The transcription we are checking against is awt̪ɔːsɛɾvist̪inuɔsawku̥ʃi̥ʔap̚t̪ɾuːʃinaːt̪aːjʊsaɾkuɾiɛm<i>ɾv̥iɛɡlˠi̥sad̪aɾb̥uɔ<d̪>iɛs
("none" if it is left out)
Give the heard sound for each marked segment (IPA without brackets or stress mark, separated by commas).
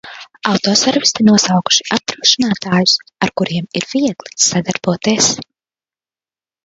i, t̪